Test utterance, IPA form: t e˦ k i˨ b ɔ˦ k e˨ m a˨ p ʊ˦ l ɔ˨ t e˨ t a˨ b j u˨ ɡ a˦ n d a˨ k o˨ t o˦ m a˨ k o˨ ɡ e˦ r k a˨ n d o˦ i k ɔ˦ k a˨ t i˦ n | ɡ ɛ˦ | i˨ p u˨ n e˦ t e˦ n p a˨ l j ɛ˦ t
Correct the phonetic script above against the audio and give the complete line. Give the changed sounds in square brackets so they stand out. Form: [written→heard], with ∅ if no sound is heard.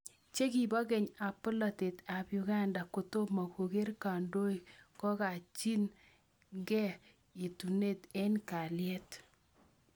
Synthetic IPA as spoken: [t→t͡ʃ] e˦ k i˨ b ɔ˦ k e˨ [m→ɲ] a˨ p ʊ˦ l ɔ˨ t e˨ t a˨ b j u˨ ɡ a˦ n d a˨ k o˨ t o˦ m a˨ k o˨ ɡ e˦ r k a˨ n d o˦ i k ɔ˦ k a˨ [t→t͡ʃ] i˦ n | ɡ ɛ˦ | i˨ [p→t] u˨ n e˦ t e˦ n [p→k] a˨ l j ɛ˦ t